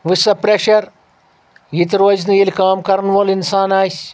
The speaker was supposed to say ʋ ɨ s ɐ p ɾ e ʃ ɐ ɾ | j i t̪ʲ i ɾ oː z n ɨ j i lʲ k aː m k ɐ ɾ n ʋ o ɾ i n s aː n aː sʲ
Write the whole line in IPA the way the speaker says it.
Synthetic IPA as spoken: ʋ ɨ s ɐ p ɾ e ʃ ɐ ɾ | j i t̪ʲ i ɾ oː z n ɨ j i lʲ k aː m k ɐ ɾ n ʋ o l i n s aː n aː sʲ